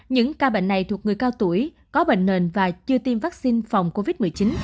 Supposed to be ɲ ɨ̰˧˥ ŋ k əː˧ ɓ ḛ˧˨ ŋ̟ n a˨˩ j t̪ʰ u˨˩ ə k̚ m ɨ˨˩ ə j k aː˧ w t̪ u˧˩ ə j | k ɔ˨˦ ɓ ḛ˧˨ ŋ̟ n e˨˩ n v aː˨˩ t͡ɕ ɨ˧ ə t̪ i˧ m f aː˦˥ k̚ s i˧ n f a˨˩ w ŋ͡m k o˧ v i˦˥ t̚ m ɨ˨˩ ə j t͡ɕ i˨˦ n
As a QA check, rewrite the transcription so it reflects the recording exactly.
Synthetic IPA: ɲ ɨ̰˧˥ ŋ k aː˧ ɓ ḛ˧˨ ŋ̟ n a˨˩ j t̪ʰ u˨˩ ə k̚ ŋ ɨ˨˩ ə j k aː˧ w t̪ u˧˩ ə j | k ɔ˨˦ ɓ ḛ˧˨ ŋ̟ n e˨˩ n v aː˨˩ t͡ɕ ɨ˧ ə t̪ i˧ m v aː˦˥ k̚ s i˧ n f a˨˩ w ŋ͡m k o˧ v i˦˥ t̚ m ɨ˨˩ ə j t͡ɕ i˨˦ n